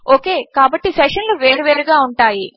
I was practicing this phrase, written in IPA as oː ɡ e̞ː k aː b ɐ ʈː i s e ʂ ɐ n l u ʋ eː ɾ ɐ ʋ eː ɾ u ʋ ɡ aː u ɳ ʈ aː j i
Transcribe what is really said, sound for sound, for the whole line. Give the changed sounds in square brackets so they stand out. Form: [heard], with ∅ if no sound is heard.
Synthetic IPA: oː [k] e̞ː k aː b ɐ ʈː i s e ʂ ɐ n l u ʋ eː ɾ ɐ ʋ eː ɾ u [∅] ɡ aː u ɳ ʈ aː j i